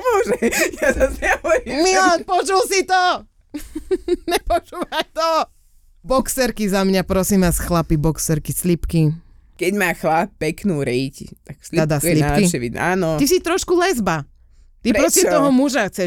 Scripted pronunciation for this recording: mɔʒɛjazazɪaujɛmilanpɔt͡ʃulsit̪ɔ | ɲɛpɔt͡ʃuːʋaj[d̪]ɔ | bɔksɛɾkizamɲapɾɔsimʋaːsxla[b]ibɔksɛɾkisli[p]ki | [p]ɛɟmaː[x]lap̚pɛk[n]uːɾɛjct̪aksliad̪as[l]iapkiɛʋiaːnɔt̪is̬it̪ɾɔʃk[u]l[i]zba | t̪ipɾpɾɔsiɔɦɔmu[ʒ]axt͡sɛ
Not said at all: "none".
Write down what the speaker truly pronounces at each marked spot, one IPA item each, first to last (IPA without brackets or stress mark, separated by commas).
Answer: t̪, p, p, k, x, n, l, u, ɛ, ʒ